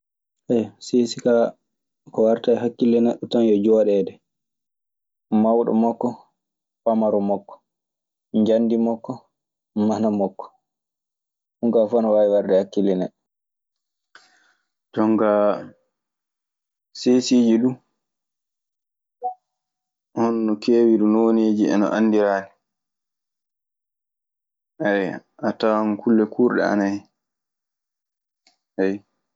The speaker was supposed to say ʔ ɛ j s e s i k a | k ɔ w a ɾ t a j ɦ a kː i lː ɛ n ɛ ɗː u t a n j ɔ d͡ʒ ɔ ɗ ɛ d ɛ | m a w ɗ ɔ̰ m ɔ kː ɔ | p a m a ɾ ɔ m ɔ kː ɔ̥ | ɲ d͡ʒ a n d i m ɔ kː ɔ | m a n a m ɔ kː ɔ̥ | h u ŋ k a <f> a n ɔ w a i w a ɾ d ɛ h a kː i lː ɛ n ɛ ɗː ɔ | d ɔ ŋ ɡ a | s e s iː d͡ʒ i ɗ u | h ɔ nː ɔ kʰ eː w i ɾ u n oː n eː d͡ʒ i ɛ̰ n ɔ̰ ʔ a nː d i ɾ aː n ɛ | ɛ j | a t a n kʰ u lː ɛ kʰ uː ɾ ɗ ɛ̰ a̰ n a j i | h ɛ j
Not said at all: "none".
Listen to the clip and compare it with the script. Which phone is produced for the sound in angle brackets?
f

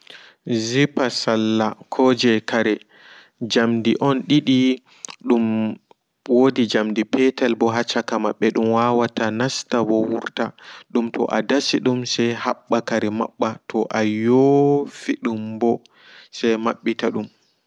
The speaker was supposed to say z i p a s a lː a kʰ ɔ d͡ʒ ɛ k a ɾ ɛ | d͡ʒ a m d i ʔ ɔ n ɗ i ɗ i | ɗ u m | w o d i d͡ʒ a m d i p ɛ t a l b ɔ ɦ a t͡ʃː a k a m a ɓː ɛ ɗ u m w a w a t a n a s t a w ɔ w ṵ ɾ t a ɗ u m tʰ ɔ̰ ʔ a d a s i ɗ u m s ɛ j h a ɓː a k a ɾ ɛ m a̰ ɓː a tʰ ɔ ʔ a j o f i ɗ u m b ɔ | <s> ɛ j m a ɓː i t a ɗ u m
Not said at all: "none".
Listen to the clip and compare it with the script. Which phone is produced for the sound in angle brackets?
s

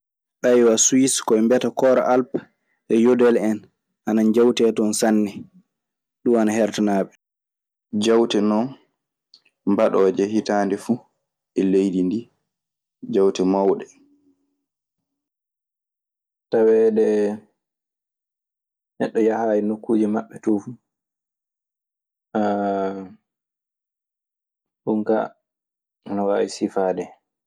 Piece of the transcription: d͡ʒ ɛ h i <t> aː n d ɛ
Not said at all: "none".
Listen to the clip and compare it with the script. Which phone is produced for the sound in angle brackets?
t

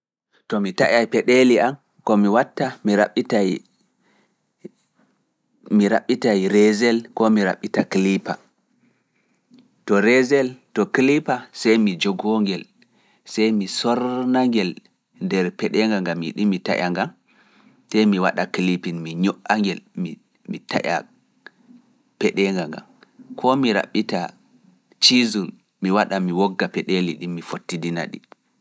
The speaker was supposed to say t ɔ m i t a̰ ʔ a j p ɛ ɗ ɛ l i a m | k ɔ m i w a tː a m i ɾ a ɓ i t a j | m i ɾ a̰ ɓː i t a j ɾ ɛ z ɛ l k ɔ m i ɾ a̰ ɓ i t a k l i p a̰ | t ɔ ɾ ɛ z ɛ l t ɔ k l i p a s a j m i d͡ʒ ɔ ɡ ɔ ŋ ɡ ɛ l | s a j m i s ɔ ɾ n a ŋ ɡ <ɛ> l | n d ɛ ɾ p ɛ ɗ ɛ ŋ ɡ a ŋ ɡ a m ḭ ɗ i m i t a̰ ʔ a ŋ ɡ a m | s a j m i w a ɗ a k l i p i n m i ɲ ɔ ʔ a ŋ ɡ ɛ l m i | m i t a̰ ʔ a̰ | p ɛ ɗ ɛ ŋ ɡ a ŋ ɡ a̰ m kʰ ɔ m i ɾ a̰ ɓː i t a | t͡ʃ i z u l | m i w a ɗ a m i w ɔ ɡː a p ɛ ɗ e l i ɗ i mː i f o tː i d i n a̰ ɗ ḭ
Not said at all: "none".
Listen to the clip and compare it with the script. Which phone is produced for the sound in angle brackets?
ɛ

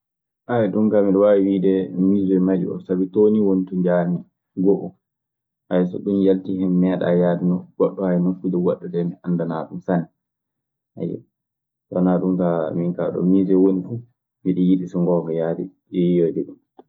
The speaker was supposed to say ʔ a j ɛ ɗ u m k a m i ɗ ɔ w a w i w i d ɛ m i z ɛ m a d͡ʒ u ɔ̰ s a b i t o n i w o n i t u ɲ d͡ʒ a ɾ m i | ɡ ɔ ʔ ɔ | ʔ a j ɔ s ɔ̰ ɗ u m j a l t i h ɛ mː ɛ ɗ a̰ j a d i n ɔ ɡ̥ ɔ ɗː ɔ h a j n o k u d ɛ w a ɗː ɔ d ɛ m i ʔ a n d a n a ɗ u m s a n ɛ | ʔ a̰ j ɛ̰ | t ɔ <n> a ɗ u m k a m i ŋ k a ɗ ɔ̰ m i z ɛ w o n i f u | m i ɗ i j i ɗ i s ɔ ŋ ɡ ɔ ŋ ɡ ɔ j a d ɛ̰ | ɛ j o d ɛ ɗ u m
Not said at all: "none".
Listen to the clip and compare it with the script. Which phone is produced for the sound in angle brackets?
n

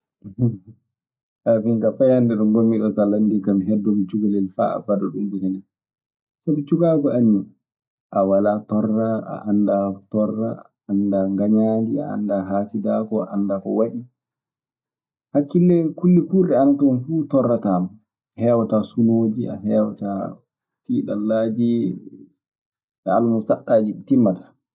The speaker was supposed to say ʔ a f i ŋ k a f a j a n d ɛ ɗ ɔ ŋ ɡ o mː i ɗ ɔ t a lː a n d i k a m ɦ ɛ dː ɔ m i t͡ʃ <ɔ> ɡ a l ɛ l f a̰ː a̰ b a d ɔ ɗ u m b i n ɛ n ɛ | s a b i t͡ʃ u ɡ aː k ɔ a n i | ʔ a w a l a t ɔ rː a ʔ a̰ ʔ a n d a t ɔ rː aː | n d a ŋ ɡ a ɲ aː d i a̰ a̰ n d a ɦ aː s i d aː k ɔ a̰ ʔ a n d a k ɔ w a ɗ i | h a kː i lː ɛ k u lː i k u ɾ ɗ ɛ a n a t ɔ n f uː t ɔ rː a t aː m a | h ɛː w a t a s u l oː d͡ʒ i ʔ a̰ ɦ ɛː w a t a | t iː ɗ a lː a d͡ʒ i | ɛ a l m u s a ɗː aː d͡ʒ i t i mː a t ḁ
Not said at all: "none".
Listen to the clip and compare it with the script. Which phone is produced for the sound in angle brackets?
u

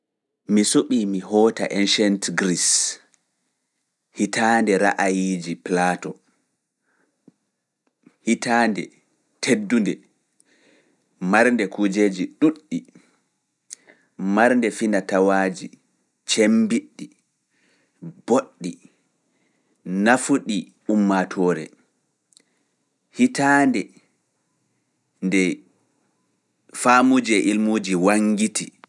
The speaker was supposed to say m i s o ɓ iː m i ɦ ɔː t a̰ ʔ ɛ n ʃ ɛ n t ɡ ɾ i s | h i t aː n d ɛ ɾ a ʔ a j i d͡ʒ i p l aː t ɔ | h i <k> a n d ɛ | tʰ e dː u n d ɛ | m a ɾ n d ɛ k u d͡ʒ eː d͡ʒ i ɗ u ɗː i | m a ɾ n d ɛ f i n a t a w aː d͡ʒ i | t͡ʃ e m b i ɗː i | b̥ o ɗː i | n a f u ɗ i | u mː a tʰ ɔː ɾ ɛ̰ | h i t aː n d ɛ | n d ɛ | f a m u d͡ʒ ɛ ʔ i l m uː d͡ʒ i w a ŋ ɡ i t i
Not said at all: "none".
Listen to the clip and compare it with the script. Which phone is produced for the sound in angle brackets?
t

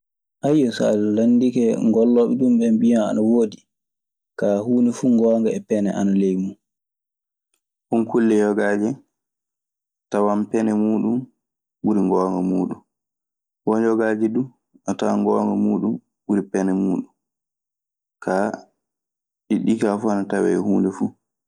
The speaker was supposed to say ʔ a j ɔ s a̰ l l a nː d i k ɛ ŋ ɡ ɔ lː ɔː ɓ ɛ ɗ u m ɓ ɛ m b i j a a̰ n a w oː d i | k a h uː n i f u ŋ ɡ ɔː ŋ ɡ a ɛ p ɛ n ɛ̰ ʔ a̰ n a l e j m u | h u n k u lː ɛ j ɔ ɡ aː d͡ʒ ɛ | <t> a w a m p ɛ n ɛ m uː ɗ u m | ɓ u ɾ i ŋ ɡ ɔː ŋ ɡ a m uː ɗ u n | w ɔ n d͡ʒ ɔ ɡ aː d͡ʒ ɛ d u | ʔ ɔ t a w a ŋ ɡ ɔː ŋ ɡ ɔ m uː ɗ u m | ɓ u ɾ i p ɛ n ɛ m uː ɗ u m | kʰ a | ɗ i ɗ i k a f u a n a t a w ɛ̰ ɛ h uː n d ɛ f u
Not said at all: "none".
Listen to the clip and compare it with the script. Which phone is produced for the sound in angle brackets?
t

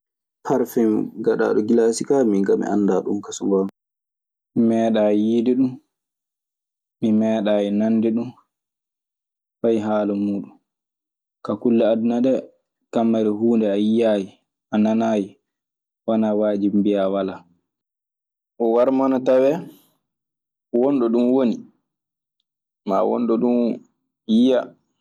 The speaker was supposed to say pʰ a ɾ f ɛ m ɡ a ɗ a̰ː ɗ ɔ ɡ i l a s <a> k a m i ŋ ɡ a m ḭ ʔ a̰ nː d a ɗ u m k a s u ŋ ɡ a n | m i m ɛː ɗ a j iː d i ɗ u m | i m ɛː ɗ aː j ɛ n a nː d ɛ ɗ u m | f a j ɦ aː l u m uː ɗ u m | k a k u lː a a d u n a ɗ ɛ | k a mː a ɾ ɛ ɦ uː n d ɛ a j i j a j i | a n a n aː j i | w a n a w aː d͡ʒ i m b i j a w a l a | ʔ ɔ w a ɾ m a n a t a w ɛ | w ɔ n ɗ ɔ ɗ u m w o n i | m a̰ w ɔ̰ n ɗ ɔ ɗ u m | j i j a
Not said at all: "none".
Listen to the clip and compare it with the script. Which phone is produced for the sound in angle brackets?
i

